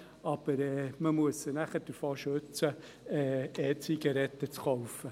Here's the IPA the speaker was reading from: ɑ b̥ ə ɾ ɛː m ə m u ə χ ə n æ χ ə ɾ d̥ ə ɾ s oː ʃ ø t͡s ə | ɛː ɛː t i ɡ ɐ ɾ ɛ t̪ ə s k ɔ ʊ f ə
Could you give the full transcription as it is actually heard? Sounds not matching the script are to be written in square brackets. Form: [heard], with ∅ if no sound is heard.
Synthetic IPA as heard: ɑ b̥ ə ɾ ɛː m ə m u ə [s] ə n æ χ ə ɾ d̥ ə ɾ [f] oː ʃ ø t͡s ə | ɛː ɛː [t͡s] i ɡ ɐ ɾ ɛ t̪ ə [t͡s] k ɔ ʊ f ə

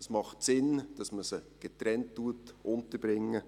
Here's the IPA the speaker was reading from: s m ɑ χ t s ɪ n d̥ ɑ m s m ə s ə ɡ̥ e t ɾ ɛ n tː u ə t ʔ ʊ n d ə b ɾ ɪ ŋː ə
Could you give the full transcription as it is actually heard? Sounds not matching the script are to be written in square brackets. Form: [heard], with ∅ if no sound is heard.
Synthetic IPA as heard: s m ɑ χ t s ɪ n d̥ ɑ [∅] s m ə s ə ɡ̥ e t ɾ ɛ n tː u ə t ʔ ʊ n [t] ə b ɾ ɪ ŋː ə

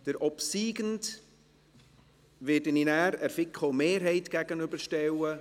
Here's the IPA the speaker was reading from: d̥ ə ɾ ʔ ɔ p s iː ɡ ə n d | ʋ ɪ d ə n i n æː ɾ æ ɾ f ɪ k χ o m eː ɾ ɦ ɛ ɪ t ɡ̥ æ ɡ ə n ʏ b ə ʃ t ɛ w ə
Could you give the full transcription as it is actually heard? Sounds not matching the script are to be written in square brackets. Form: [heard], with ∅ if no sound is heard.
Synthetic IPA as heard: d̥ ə ɾ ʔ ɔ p s iː ɡ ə n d | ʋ ɪ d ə n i n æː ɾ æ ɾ f ɪ k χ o m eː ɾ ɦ ɛ ɪ t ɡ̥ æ ɡ ə n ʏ b ə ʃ t ɛ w ə

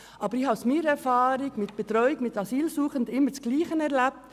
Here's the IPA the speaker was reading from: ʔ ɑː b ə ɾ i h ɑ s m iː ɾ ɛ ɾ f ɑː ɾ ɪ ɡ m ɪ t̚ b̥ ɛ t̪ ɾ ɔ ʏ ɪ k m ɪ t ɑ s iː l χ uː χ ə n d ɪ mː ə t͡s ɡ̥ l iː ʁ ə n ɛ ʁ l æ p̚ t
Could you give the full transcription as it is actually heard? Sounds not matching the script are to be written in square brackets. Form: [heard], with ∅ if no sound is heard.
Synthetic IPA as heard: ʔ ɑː b ə ɾ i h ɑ s m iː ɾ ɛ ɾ f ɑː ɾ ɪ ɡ m ɪ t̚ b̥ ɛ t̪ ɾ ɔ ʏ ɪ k m ɪ t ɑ s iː l [s] uː χ ə n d ɪ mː ə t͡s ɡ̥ l iː [χ] ə n ɛ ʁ l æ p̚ t

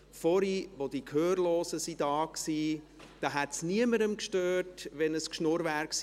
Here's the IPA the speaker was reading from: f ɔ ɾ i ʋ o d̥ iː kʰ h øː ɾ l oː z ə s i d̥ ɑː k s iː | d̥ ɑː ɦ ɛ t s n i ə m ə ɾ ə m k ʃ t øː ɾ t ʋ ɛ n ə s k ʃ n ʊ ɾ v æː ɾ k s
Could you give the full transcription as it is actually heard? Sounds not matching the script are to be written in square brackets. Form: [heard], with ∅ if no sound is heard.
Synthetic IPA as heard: f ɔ ɾ i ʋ o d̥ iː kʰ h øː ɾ l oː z ə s i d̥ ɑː k s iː | d̥ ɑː ɦ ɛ t s n i ə m ə ɾ ə m k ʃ t øː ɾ t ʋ ɛ n ə s k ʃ n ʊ ɾ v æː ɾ k s

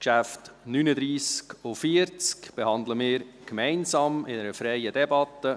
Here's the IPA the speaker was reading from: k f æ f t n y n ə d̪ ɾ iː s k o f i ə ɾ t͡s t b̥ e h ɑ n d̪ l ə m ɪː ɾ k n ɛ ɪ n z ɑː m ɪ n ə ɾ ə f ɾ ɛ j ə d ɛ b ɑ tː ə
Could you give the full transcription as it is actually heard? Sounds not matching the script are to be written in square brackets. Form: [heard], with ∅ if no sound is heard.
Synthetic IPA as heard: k [ʃ] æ f t n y n ə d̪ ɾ iː s k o f i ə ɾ t͡s [k] b̥ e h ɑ n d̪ l ə m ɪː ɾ k [m] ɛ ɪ n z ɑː m ɪ n ə ɾ ə f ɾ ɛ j ə d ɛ b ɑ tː ə

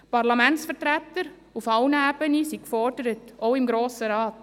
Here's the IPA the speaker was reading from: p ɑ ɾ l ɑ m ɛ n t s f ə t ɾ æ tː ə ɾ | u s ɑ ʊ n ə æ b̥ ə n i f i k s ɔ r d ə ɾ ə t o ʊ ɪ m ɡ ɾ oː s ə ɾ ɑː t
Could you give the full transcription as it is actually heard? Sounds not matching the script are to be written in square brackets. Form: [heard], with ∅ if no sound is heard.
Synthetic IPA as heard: p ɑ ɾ l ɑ m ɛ n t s f ə t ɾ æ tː ə ɾ | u [f] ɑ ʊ n ə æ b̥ ə n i [s] i k [f] ɔ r d ə ɾ ə t o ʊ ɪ m ɡ ɾ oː s ə ɾ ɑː t

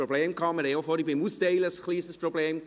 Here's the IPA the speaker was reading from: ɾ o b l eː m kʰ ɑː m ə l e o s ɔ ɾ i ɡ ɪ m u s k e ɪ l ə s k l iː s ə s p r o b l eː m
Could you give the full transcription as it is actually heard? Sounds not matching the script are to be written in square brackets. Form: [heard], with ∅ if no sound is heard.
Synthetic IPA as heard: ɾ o b l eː m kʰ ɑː m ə [ɾ] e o [f] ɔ ɾ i [b] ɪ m u s [t] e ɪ l ə s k l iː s ə s p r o b l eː m

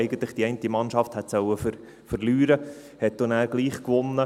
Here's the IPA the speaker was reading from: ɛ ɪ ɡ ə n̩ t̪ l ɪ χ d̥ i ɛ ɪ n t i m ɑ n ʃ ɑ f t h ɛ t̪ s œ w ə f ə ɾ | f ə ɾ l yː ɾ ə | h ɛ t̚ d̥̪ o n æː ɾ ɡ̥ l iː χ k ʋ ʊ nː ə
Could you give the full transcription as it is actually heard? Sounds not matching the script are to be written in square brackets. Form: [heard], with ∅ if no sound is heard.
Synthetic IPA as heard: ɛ ɪ ɡ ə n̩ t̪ l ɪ χ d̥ i ɛ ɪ n t i m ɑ n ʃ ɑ f t h ɛ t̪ s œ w ə f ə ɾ | f ə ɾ l yː ɾ ə | h ɛ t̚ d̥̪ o n æː ɾ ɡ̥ l iː χ k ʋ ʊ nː ə

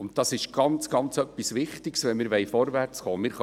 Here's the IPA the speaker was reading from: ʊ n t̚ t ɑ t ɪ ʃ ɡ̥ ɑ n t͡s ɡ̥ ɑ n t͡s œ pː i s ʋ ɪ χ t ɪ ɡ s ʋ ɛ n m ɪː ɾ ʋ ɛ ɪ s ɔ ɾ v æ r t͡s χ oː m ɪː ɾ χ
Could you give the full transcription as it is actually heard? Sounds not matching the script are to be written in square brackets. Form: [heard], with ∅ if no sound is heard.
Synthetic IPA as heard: ʊ n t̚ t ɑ [s] ɪ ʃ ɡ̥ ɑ n t͡s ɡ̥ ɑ n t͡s œ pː i s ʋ ɪ χ t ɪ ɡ s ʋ ɛ n m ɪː ɾ ʋ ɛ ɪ [f] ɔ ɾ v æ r t͡s χ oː m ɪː ɾ χ

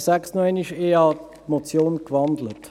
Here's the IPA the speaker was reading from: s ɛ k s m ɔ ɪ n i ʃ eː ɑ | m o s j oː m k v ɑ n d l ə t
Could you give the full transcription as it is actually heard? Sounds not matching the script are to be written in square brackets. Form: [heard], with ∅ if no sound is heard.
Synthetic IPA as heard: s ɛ k s [n] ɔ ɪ n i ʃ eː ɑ | m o [t͡s] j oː [n] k v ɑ n d l ə t

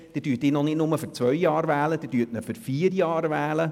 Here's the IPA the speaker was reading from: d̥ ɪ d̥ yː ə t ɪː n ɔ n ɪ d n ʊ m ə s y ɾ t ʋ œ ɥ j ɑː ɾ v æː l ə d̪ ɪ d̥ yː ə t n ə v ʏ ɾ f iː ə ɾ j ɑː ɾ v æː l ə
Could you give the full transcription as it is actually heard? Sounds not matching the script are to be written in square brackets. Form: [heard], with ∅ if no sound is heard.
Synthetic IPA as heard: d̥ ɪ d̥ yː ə t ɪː n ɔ n ɪ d n ʊ m ə [f] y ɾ [t͡s] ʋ œ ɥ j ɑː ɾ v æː l ə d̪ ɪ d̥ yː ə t n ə [f] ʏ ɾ f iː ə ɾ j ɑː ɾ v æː l ə

